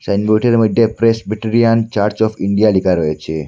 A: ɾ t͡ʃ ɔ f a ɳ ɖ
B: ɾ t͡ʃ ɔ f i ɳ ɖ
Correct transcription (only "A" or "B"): B